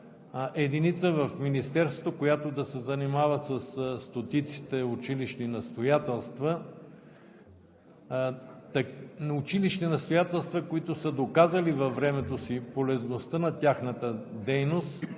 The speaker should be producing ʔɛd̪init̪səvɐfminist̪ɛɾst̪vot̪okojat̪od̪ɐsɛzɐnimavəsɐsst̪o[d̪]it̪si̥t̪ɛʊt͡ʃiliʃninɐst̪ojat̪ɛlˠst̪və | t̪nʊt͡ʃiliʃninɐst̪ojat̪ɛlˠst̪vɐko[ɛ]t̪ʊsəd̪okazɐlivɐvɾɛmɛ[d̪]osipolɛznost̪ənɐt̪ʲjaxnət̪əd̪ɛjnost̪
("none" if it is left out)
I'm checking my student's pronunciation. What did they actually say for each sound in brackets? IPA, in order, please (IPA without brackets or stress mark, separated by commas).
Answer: t̪, i, t̪